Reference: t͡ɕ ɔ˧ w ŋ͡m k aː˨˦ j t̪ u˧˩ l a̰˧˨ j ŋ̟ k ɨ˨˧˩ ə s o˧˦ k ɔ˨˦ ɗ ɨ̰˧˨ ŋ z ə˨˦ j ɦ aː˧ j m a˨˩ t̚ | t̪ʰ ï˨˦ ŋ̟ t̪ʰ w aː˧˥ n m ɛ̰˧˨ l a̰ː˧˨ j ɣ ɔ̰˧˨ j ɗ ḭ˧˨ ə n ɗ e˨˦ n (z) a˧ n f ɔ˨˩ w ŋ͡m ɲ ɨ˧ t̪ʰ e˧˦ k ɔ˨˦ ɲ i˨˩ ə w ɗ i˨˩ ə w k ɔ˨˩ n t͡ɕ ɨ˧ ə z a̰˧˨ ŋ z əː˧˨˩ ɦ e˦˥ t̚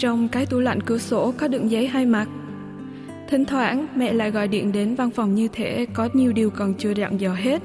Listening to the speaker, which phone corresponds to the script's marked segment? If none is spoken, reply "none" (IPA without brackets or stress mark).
v